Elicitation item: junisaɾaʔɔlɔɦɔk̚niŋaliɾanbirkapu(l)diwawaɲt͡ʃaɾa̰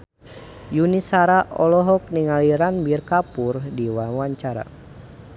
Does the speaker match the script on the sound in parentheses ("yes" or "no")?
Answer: no